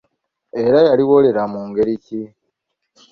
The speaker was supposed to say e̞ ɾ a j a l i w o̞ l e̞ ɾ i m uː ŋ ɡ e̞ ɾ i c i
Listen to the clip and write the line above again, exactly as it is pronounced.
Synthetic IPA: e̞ ɾ a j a l i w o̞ l e̞ ɾ a m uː ŋ ɡ e̞ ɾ i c i

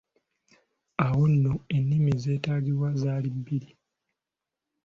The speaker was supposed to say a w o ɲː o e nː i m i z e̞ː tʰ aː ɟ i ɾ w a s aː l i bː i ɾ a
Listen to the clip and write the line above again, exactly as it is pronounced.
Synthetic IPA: a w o nː o e nː i m i z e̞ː t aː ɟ i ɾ w a z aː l i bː i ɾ i

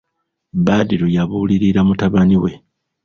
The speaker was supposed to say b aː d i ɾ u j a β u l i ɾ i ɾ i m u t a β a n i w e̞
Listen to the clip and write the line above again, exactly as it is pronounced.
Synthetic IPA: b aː d i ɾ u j a β u l i ɾ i ɾ a m u t a β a n i w e̞

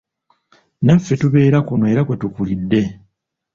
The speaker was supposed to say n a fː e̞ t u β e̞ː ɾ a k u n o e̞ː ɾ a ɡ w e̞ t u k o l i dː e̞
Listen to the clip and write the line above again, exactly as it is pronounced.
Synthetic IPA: n a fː e̞ t u β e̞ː ɾ a k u n o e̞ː ɾ a k w e̞ t u k u l i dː e̞

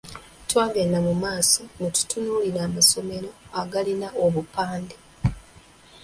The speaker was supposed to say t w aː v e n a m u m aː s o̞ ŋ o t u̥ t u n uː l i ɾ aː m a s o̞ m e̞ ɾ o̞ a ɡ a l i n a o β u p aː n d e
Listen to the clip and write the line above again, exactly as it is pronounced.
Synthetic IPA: t w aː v e n a m u m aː s o̞ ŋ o t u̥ t u n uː l i ɾ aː m a s o̞ m e̞ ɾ o̞ a ɡ a l i n a o β u p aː n d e

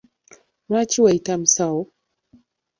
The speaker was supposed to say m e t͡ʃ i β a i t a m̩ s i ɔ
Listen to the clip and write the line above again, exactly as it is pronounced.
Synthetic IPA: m a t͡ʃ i w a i t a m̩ s a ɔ

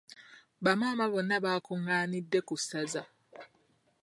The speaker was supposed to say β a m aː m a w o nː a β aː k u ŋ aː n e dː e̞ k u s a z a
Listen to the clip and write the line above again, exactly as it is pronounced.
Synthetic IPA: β a m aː m a β o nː a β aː k u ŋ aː n i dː e̞ k u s a z a

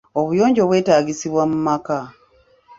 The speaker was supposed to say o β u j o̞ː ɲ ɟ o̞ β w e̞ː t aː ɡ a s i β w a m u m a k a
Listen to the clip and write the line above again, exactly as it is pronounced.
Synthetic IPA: o β u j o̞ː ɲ ɟ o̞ β w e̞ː t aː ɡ i s i β w a m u m a k a

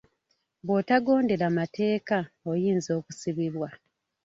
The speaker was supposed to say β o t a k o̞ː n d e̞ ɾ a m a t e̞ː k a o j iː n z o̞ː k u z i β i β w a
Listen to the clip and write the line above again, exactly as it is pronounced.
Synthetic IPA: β o t a ɡ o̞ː n d e̞ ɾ a m a t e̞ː k a o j iː n z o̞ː k u s i β i β w a

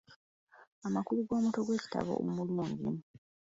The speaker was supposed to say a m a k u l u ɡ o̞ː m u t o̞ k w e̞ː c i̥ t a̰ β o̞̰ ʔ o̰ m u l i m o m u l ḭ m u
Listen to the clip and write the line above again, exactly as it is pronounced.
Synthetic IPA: a m a k u l u ɡ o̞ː m u t o̞ ɡ w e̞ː c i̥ t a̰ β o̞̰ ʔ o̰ m u l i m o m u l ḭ m u

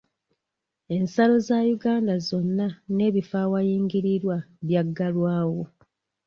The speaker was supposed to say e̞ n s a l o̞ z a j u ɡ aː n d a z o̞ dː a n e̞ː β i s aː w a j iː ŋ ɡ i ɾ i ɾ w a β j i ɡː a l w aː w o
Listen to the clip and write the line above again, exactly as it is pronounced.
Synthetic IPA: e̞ n s a l o̞ z a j u ɡ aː n d a z o̞ nː a n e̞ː β i f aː w a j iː ŋ ɡ i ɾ i ɾ w a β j a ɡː a l w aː w o

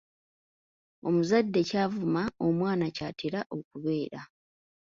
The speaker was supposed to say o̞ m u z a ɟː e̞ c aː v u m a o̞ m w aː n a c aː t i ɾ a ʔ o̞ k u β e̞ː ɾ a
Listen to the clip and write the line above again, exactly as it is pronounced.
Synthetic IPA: o̞ m u z a dː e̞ c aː v u m a o̞ m w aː n a c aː t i ɾ a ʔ o̞ k u β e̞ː ɾ a

